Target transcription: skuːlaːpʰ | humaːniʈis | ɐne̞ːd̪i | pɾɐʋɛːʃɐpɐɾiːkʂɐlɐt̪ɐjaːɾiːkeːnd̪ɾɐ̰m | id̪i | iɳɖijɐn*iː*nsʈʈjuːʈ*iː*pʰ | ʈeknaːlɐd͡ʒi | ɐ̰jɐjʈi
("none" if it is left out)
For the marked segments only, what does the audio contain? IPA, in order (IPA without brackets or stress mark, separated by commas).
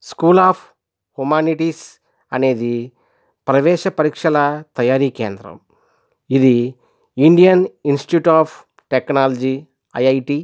i, aː